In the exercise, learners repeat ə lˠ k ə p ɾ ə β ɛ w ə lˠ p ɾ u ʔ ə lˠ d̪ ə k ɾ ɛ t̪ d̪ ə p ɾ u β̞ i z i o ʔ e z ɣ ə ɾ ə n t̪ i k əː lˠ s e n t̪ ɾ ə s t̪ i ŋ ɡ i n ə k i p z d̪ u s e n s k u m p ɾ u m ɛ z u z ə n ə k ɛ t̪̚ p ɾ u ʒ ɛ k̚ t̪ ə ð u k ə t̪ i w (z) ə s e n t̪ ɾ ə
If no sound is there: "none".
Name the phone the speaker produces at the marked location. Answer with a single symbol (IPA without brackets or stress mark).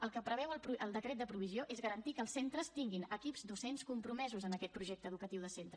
ð